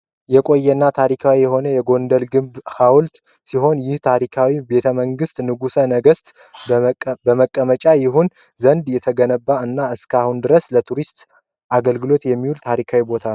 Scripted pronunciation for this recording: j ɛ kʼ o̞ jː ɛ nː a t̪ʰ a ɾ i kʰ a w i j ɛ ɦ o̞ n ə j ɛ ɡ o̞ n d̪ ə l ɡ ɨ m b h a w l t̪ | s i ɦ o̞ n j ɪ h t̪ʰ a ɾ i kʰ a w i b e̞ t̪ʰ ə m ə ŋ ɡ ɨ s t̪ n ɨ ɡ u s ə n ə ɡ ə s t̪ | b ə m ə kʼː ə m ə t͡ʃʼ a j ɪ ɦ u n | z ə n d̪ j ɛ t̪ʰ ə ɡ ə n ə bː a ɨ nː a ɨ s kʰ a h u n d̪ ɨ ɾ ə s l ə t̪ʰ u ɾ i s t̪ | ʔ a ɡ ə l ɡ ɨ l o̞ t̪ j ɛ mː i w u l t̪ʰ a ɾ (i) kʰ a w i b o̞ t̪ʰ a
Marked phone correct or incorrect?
correct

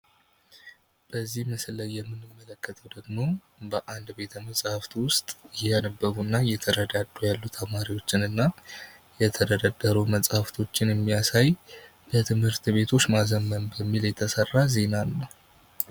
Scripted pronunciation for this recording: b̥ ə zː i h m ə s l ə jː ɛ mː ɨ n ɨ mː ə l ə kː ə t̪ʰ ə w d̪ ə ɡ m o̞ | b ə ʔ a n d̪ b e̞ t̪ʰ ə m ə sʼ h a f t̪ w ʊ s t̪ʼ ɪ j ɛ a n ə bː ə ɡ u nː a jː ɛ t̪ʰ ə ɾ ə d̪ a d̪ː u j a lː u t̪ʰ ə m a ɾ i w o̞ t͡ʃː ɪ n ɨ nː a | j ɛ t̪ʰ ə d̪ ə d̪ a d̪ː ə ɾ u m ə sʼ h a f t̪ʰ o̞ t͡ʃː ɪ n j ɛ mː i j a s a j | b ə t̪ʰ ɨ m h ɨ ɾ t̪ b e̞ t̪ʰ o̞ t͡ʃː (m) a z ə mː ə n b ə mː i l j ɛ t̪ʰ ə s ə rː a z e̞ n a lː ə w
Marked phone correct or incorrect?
correct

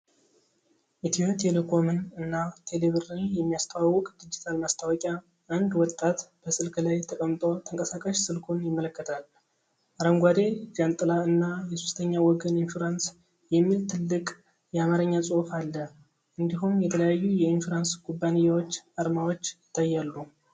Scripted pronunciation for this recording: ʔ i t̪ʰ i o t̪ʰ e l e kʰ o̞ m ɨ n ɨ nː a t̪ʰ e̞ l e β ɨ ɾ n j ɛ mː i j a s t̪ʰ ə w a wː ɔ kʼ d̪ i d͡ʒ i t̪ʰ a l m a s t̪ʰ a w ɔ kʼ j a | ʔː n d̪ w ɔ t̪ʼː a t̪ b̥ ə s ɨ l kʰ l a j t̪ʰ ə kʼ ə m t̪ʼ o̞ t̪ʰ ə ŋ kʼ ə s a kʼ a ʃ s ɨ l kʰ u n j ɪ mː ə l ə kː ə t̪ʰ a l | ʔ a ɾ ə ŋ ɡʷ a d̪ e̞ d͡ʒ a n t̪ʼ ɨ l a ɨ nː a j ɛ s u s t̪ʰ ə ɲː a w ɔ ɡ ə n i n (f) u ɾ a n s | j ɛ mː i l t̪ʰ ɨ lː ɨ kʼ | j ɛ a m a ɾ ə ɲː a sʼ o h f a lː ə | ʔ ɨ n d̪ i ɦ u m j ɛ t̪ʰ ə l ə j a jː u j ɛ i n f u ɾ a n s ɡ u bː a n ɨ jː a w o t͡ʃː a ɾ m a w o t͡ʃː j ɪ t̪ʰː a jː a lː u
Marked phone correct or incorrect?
correct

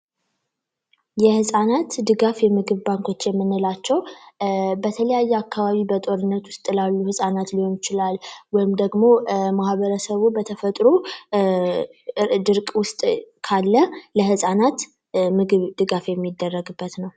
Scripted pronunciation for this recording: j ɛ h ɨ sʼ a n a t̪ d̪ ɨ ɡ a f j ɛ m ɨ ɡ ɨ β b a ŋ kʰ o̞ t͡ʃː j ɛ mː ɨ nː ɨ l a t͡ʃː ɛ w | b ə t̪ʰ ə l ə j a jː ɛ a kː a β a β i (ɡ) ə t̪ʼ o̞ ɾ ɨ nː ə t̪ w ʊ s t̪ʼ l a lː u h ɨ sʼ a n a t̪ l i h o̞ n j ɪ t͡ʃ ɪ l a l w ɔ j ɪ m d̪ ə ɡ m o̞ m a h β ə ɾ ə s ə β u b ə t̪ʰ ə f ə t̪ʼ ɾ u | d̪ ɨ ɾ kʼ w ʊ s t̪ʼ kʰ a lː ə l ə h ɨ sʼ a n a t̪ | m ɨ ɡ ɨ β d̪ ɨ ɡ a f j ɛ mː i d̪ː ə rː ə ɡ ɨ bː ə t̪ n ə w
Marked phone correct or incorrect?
incorrect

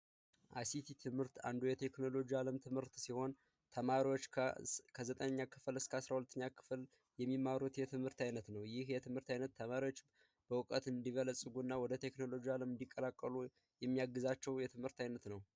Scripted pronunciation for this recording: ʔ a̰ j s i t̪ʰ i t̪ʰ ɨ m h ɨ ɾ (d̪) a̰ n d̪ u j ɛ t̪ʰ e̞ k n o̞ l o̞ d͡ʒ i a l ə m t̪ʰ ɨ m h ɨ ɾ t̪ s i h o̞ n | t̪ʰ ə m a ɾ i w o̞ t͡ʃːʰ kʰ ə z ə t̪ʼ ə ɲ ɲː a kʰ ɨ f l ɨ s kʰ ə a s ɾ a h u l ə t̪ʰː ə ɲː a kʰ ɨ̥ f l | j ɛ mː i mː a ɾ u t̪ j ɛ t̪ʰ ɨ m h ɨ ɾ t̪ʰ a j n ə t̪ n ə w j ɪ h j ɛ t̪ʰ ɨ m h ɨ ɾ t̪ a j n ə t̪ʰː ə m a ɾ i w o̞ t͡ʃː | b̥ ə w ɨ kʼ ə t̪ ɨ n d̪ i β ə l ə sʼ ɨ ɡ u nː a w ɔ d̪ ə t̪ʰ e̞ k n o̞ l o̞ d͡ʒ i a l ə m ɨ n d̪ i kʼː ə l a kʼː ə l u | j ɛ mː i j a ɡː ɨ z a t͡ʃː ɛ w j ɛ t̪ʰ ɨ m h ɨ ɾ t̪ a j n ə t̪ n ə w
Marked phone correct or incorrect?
incorrect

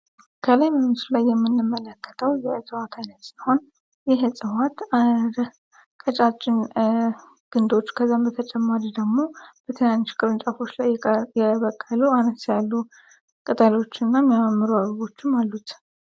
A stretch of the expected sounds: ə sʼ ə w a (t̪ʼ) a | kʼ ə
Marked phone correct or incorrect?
incorrect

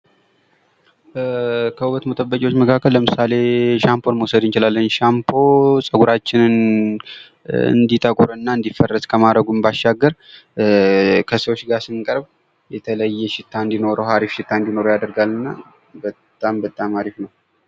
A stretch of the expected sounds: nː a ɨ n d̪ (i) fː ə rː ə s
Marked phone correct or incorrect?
correct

